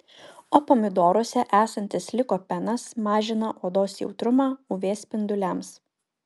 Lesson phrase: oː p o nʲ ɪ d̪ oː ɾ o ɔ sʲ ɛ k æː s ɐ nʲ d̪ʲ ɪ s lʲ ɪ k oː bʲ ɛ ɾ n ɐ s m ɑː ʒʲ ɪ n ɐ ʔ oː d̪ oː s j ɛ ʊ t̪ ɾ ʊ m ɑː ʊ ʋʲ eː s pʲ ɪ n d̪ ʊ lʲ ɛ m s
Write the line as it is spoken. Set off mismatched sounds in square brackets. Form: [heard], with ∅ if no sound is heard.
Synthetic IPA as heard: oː p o [mʲ] ɪ d̪ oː ɾ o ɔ sʲ ɛ [ʔ] æː s ɐ nʲ [t̪ʲ] ɪ s lʲ ɪ k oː [pʲ] ɛ [∅] n ɐ s m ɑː ʒʲ ɪ n ɐ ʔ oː d̪ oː s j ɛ ʊ t̪ ɾ ʊ m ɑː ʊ ʋʲ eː s pʲ ɪ n d̪ ʊ lʲ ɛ m s